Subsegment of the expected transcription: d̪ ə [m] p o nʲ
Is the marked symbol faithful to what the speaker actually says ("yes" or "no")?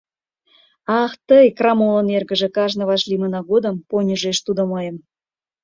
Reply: yes